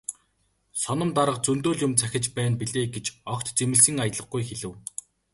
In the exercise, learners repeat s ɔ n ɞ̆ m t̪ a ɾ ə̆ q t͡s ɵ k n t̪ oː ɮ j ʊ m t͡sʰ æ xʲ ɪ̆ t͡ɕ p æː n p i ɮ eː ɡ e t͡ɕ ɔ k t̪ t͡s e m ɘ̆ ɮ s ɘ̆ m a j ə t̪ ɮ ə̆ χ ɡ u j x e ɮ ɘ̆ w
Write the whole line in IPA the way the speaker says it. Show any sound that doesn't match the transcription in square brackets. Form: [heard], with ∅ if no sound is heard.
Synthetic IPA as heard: s ɔ n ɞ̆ m t̪ a ɾ ə̆ q t͡s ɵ [∅] n t̪ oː ɮ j ʊ m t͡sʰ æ xʲ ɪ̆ t͡ɕ p æː n p i ɮ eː ɡ e t͡ɕ ɔ k t̪ t͡s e m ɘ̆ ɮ s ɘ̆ [ŋ] a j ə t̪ ɮ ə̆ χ ɡ u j x e ɮ ɘ̆ w